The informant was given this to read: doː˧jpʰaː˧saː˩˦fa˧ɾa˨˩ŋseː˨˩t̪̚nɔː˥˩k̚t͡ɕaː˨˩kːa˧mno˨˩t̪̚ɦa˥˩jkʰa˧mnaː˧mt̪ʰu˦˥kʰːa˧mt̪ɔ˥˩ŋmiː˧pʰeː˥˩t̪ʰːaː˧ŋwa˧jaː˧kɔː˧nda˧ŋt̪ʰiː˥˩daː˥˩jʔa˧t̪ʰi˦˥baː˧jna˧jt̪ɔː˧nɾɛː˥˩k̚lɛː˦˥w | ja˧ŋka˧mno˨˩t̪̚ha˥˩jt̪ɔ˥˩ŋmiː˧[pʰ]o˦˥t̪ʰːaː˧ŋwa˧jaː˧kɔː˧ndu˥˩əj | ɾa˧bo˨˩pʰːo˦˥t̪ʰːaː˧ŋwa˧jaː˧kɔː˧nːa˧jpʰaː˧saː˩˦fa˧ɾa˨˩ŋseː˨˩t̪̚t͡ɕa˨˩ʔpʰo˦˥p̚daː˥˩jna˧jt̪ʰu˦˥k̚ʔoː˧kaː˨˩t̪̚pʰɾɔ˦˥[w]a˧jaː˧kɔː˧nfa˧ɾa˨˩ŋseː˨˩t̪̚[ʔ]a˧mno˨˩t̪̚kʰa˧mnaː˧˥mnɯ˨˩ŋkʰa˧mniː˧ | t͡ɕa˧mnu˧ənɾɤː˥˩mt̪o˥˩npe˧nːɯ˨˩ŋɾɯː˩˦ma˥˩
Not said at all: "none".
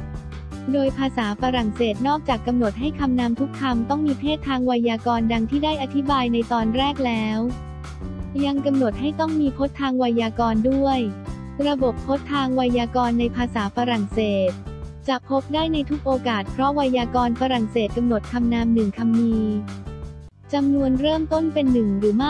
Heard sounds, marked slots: pʰ, w, k

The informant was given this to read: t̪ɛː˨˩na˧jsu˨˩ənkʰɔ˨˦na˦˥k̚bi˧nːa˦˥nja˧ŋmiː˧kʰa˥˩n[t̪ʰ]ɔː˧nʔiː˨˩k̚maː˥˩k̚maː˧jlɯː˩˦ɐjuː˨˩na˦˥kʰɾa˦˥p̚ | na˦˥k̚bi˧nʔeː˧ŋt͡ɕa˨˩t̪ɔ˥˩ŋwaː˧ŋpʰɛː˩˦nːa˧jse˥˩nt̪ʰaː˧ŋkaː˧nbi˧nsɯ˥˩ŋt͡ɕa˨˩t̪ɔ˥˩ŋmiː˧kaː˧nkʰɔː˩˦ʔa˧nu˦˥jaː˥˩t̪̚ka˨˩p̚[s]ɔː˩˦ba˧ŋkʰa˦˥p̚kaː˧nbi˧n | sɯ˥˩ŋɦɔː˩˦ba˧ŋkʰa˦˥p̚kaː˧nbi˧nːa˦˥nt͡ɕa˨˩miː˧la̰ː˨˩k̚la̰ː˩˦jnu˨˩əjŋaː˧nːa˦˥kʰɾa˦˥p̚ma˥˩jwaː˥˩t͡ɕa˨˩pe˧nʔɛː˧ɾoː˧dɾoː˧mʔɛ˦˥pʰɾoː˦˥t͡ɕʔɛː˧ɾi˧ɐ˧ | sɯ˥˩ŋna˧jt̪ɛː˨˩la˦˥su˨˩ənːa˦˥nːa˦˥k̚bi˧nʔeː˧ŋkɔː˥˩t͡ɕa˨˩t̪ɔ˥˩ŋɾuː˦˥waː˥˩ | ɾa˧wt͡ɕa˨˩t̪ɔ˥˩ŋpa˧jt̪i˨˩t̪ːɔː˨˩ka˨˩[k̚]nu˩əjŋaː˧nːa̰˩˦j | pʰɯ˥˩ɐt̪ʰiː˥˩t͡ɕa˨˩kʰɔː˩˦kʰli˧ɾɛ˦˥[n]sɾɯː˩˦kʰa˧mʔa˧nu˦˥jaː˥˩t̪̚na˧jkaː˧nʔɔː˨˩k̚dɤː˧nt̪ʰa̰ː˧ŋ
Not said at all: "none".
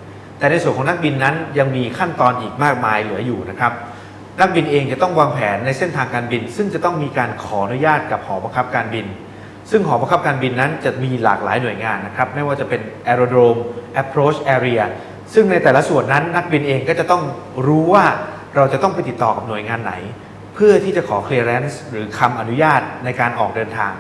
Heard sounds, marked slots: t̪, h, p̚, n

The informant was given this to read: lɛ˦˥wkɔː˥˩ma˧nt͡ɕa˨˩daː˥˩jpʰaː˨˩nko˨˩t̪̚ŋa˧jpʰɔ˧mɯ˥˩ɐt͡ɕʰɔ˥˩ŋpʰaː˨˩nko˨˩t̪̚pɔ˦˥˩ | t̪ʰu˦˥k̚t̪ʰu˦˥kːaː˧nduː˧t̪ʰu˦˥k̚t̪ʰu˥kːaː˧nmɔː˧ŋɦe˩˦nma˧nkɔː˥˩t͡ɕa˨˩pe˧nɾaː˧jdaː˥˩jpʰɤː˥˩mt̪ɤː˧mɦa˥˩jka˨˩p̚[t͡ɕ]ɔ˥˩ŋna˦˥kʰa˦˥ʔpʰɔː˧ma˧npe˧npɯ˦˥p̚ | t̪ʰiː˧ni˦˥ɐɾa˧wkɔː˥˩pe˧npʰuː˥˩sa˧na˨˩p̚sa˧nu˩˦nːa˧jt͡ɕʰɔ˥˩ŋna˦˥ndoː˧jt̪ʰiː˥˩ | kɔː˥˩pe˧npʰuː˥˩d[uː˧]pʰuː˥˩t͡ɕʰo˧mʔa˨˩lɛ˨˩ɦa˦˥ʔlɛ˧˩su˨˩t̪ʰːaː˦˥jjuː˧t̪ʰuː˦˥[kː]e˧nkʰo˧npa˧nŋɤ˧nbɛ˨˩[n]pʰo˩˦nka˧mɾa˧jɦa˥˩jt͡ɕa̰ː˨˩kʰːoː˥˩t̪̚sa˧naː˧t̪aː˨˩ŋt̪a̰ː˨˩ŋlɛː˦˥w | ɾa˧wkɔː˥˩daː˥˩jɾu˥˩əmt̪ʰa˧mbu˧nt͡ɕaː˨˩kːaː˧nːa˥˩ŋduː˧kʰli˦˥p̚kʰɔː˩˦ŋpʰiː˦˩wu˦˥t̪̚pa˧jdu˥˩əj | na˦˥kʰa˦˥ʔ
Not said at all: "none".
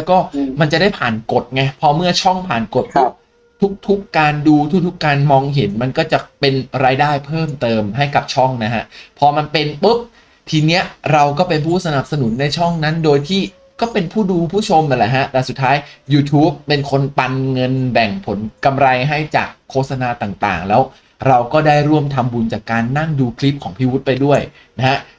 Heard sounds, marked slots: t͡ɕʰ, uː˧, pː, ŋ

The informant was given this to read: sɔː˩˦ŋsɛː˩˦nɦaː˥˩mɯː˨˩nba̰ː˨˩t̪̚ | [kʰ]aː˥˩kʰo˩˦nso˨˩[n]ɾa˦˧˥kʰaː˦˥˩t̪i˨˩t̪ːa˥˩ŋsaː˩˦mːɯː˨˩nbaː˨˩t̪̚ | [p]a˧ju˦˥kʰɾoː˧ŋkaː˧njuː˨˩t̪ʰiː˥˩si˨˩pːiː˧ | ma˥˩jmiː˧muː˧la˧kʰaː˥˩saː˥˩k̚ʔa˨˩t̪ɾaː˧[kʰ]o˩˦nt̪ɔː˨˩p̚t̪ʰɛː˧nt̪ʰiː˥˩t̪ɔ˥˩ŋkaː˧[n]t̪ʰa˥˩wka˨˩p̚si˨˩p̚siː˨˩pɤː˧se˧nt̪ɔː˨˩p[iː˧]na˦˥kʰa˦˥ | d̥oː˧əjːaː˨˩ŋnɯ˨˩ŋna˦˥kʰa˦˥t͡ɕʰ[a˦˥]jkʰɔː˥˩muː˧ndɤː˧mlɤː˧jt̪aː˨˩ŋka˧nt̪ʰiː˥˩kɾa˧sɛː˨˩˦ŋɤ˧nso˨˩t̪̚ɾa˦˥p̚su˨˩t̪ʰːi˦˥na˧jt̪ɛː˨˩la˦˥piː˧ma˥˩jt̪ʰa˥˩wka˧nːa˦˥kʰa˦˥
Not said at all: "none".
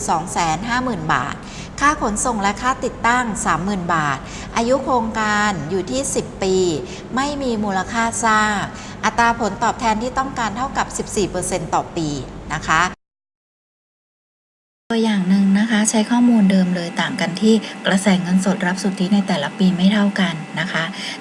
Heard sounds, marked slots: kʰ, ŋ, ʔ, pʰ, n, iː˧, a˦˥

